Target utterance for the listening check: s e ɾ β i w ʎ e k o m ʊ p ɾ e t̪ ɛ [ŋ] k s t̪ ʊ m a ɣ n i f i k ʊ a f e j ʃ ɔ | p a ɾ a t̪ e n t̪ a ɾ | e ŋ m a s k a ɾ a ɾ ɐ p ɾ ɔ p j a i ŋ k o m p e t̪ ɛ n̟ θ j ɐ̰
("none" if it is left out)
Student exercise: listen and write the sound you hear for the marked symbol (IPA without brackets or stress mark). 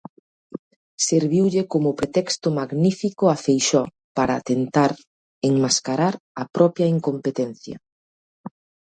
none